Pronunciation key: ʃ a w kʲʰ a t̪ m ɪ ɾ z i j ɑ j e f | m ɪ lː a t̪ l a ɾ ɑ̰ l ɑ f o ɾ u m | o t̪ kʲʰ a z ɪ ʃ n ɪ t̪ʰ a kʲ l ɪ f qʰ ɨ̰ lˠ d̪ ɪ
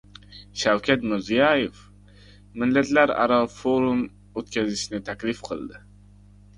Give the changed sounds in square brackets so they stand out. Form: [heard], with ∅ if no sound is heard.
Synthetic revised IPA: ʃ a w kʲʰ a t̪ m ɪ ɾ z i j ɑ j e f | m ɪ lː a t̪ l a ɾ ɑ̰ [ɾ] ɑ f o ɾ u m | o t̪ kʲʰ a z ɪ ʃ n ɪ t̪ʰ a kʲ l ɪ f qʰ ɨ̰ lˠ d̪ ɪ